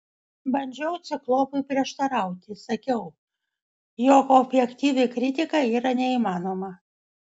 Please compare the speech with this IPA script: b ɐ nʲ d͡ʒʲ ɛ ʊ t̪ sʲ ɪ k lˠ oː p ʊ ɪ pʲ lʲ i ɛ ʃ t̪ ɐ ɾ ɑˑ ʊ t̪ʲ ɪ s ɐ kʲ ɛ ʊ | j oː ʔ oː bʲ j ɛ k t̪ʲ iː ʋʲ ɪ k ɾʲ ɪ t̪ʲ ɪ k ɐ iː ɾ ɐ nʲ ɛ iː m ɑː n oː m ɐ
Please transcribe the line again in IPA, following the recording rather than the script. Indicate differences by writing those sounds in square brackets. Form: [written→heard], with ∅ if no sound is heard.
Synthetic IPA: b ɐ nʲ d͡ʒʲ ɛ ʊ t̪ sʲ ɪ k lˠ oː p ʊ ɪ pʲ [lʲ→ɾʲ] i ɛ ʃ t̪ ɐ ɾ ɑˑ ʊ t̪ʲ ɪ s ɐ kʲ ɛ ʊ | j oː [ʔ→k] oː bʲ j ɛ k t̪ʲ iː ʋʲ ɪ k ɾʲ ɪ t̪ʲ ɪ k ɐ iː ɾ ɐ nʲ ɛ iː m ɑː n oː m ɐ